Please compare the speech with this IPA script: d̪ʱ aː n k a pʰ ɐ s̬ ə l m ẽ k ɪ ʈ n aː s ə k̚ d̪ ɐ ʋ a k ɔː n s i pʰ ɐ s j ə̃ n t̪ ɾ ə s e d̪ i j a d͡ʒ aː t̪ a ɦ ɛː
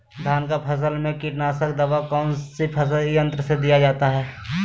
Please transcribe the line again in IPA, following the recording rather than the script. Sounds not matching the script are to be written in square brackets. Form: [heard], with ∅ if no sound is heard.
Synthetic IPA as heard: d̪ʱ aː n k a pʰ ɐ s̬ ə l m ẽ k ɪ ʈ n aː s ə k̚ d̪ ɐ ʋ a k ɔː n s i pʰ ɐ s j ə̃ n t̪ ɾ ə s e d̪ i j a d͡ʒ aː t̪ a ɦ ɛː